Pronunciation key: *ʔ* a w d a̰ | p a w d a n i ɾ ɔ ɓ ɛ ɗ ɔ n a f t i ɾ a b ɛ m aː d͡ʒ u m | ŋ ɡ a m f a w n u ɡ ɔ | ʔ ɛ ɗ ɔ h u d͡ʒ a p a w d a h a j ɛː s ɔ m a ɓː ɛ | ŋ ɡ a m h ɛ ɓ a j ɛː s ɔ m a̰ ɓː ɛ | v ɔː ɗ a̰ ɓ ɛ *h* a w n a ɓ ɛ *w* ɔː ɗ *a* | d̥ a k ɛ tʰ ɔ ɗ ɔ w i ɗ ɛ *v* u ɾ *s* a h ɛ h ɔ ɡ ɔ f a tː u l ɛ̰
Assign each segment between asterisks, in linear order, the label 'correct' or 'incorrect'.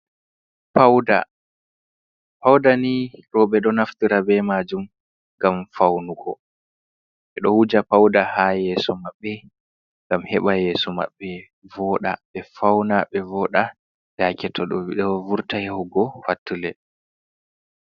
incorrect, incorrect, incorrect, correct, correct, incorrect

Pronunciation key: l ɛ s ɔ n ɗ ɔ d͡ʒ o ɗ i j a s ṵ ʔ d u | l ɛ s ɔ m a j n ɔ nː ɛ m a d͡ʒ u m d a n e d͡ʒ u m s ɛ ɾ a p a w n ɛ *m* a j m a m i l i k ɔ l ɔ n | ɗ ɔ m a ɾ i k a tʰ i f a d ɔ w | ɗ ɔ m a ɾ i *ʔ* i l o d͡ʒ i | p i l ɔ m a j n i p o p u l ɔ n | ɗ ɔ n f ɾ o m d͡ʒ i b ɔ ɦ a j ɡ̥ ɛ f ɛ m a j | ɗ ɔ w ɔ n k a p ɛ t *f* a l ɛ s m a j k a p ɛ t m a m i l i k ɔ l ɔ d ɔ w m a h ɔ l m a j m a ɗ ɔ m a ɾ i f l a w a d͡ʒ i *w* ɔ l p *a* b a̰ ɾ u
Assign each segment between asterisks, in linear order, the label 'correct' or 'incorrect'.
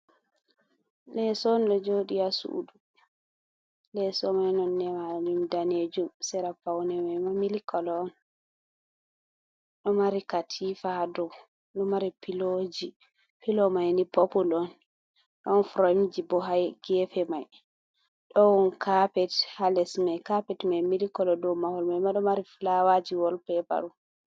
correct, incorrect, incorrect, correct, incorrect

